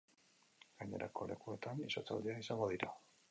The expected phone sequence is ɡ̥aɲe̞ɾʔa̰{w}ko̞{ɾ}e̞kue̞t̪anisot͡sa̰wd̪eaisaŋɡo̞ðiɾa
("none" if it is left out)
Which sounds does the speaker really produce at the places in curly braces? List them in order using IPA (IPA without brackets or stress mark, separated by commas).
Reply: none, l